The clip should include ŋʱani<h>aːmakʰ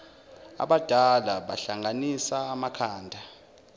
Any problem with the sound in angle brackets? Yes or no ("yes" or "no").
yes